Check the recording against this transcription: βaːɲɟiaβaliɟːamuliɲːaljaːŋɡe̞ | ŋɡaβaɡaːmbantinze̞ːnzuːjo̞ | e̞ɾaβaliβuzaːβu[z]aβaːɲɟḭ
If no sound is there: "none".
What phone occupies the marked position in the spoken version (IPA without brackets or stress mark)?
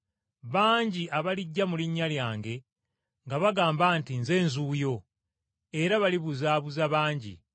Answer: z